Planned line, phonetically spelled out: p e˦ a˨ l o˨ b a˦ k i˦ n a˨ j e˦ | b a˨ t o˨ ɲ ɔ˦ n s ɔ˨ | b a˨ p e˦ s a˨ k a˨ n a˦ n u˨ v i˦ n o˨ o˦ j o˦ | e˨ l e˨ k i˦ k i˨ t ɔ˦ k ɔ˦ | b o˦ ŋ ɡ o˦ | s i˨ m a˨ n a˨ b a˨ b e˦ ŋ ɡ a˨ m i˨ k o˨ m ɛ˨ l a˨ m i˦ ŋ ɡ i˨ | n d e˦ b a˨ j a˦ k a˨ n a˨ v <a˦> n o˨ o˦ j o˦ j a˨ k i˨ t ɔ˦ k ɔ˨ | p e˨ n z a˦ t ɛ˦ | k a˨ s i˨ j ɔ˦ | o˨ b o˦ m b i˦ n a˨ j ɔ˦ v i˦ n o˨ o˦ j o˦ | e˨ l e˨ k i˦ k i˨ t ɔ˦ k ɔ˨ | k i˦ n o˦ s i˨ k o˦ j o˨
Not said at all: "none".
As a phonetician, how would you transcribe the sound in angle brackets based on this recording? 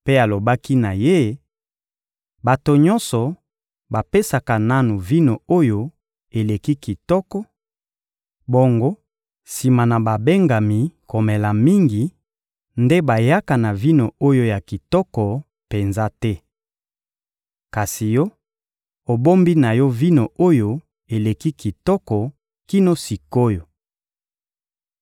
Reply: i˦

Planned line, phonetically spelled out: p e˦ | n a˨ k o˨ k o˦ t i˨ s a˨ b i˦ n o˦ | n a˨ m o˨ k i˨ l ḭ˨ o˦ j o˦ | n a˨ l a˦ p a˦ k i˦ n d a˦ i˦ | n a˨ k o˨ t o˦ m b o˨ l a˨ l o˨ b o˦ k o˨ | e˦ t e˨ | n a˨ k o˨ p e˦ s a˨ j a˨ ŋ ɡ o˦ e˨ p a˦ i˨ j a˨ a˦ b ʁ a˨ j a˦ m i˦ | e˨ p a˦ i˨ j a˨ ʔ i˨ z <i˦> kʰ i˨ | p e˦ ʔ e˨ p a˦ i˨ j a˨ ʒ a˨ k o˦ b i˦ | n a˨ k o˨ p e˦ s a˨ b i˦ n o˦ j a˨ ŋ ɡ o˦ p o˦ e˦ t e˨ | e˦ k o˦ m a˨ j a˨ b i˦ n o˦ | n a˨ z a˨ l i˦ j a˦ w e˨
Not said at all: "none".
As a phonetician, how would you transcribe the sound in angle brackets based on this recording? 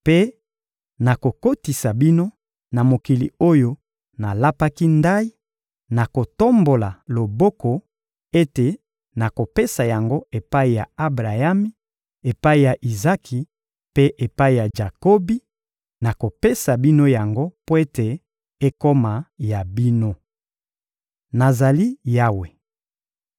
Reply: a˦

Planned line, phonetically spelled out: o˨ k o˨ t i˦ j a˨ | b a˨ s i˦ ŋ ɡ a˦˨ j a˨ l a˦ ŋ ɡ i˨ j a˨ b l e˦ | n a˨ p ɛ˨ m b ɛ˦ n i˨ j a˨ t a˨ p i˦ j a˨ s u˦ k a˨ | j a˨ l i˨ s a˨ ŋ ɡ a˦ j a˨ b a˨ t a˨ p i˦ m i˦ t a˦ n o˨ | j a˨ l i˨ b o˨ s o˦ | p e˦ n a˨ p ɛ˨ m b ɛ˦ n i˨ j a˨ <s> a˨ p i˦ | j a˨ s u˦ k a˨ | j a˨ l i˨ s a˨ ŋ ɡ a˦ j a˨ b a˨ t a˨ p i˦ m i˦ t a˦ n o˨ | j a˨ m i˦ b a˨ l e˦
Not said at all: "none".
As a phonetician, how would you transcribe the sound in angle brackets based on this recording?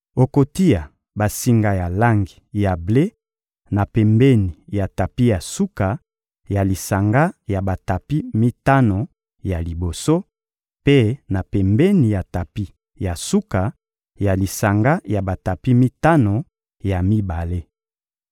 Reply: t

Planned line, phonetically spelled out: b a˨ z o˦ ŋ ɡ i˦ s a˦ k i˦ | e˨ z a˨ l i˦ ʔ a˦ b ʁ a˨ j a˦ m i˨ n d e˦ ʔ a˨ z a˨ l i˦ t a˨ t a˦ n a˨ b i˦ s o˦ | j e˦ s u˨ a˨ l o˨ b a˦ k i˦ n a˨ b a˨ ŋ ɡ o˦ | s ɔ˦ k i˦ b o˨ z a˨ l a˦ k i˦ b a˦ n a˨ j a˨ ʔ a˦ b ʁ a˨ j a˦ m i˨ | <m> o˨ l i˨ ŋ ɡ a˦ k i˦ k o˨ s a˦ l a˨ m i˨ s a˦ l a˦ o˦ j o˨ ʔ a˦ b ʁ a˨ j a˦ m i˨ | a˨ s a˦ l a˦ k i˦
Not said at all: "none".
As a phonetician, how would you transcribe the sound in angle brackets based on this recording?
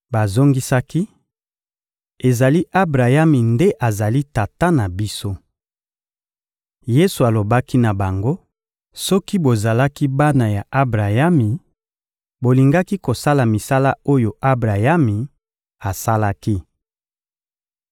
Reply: b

